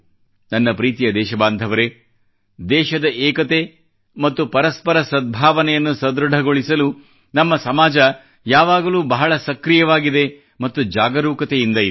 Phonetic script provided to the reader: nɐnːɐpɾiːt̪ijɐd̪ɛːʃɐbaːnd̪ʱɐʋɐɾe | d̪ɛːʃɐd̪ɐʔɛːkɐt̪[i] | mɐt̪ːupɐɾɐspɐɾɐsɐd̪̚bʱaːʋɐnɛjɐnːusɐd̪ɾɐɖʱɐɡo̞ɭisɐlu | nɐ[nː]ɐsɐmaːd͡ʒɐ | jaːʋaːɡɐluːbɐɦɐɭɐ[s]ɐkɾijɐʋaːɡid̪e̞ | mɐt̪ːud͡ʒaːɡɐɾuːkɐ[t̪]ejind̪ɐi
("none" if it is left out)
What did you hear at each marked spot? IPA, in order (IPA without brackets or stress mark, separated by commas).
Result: e, mː, s, t̪